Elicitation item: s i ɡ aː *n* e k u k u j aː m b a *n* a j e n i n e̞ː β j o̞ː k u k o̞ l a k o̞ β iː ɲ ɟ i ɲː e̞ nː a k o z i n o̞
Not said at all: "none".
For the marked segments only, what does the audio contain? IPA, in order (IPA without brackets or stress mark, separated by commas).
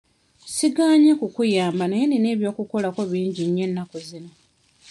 ɲ, n